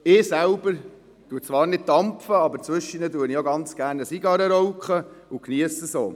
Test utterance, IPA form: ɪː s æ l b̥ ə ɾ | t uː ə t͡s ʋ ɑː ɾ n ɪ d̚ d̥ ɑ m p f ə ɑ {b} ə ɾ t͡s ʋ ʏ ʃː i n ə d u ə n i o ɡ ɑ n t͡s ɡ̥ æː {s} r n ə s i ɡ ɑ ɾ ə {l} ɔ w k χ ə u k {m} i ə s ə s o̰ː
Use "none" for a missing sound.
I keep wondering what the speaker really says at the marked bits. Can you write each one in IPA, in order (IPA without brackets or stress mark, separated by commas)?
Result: b, none, ɾ, n